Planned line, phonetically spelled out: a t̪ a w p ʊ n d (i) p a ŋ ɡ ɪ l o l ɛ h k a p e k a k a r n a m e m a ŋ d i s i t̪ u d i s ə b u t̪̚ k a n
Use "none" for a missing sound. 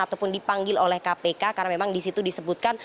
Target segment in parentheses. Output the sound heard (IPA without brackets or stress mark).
i